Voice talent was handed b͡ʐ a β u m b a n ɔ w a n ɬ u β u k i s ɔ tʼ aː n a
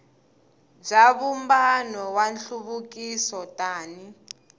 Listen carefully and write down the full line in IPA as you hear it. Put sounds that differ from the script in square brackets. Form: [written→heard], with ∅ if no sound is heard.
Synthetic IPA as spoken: b͡ʐ a β u m b a n ɔ w a n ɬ u β u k i s ɔ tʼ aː n [a→i]